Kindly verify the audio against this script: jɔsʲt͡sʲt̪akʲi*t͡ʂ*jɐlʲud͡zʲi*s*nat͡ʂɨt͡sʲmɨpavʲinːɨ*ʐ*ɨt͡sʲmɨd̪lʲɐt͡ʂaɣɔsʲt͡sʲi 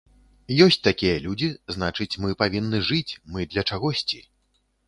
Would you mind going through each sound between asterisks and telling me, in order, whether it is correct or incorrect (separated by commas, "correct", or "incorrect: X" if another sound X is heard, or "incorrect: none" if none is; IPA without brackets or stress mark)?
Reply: incorrect: none, incorrect: z, correct